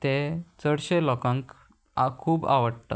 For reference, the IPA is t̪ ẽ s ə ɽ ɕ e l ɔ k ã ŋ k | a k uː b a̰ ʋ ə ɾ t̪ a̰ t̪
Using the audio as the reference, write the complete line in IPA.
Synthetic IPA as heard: t̪ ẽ t͡s ə ɽ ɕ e l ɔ k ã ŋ k | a kʰ uː b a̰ ʋ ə ɽ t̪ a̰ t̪